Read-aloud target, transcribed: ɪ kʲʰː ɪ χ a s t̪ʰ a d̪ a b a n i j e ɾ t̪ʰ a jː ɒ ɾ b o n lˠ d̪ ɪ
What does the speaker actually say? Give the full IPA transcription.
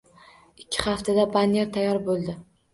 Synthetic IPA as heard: ɪ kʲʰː ɪ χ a f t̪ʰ a d̪ a b a n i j e ɾ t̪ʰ a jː ɒ ɾ b o lˠ d̪ ɪ